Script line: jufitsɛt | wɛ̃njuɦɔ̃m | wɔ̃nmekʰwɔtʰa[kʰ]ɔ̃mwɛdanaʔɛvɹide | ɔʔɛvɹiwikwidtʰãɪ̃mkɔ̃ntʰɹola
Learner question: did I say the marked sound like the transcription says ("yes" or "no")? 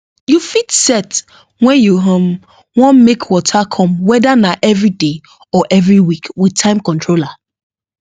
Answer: yes